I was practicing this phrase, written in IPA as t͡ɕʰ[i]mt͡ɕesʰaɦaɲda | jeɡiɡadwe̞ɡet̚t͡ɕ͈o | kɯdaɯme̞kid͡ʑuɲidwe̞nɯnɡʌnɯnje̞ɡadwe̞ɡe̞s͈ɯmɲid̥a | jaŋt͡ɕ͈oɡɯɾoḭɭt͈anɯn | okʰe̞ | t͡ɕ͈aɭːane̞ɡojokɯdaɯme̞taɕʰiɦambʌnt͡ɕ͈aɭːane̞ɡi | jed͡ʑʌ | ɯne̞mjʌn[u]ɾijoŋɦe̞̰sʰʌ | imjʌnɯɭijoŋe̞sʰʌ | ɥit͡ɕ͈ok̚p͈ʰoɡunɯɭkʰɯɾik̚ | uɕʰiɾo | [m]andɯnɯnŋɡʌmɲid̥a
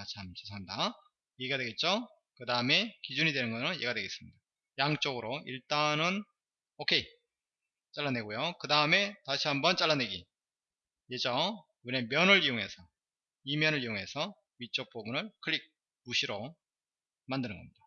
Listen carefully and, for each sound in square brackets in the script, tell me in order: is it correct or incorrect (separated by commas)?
incorrect, incorrect, correct